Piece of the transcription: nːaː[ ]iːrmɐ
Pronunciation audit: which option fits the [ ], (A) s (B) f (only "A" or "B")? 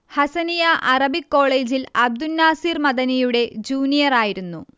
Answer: A